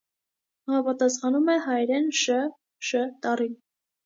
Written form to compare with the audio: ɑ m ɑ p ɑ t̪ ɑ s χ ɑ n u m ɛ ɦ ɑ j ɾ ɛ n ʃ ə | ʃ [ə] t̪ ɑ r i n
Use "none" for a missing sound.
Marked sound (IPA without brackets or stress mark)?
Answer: ə